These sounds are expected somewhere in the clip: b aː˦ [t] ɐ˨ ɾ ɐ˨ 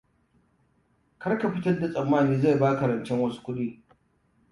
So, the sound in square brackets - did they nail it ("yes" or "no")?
no